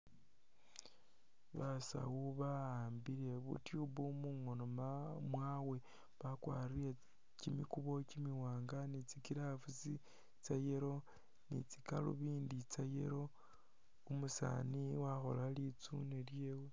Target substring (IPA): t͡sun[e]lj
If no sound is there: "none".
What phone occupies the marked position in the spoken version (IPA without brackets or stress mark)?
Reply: e